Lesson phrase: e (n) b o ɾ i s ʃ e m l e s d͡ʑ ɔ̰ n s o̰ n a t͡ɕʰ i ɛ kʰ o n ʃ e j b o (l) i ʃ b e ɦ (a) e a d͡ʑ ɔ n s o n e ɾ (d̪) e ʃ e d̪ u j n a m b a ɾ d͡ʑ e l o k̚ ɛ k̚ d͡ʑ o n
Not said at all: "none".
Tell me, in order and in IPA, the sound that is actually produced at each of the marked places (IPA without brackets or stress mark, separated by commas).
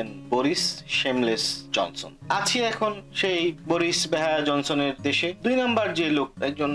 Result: n, ɾ, a, d̪